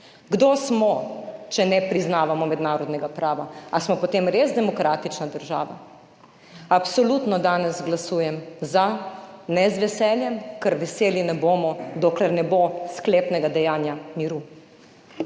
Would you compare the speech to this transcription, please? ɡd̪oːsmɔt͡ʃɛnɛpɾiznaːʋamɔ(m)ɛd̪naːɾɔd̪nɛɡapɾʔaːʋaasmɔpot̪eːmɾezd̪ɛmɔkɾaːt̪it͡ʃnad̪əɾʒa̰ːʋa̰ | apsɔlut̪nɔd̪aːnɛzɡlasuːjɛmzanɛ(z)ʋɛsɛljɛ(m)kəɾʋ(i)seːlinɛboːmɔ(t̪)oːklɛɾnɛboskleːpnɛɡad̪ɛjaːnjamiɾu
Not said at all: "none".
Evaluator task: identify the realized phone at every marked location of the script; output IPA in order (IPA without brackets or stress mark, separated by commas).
m, z, m, ɛ, d̪